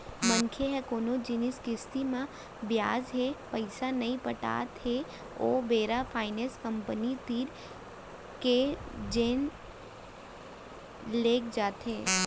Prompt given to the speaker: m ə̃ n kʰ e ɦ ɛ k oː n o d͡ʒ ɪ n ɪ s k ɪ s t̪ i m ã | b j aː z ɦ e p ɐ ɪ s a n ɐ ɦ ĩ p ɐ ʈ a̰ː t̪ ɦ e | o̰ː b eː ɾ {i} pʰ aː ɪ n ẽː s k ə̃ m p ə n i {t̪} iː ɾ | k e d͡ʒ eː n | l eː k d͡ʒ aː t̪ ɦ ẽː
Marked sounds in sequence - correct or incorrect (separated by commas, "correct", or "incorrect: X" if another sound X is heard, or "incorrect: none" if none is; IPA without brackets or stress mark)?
incorrect: a, correct